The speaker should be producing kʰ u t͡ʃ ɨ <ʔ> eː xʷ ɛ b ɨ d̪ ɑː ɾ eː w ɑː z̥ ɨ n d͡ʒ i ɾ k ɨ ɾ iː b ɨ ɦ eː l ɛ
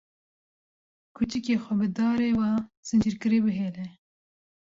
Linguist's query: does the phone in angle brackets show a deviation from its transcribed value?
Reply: yes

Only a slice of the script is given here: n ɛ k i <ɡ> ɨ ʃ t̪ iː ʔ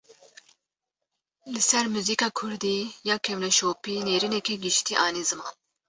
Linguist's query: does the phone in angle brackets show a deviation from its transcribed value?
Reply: no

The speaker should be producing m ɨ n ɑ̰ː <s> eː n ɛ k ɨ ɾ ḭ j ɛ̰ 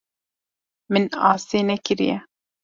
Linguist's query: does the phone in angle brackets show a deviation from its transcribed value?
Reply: no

